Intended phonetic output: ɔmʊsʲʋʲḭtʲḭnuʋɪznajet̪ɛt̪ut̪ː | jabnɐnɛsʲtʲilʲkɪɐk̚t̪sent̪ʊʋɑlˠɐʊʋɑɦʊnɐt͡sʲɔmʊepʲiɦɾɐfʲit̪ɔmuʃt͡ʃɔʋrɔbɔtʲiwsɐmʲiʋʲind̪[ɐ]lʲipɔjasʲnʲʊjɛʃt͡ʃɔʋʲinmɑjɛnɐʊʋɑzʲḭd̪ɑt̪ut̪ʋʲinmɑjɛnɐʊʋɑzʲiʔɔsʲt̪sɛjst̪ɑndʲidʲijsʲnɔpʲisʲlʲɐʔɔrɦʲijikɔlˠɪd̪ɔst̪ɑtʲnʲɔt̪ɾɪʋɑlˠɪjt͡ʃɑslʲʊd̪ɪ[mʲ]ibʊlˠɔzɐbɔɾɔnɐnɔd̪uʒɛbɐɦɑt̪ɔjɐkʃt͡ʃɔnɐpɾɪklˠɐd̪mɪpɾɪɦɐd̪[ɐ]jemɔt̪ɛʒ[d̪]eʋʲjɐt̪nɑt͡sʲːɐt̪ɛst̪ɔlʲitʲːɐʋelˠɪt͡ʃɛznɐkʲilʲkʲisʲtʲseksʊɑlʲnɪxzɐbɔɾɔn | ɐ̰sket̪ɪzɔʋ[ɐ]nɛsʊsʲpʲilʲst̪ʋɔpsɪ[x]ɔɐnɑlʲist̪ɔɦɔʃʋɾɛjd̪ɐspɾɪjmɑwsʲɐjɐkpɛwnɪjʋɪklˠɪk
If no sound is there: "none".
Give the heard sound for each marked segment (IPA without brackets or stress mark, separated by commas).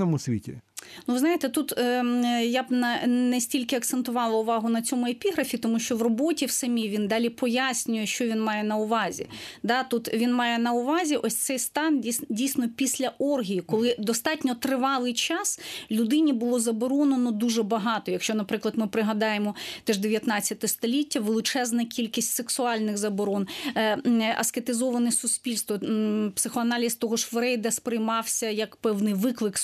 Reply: ɑ, nʲ, ɑ, d̪, ɐ, x